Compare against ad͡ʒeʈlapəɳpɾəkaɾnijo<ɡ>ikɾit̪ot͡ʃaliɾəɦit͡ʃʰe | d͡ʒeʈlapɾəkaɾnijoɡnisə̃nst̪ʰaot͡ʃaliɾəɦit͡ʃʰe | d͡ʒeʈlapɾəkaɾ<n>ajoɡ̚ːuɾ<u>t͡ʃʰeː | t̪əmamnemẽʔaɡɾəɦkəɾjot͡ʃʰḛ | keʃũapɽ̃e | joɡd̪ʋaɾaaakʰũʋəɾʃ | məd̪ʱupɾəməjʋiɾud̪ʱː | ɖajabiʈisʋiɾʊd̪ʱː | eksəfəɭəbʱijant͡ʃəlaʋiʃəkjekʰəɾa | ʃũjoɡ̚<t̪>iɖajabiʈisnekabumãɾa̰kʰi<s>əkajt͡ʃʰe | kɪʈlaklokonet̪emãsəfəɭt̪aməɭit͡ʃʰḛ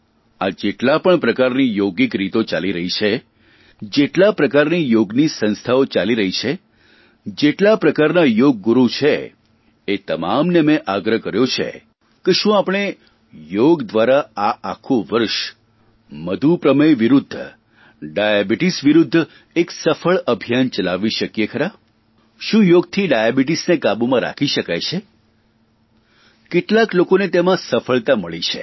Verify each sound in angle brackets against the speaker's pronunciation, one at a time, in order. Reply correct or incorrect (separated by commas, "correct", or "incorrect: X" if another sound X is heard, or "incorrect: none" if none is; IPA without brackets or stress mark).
correct, correct, correct, incorrect: t̪ʰ, incorrect: ʃ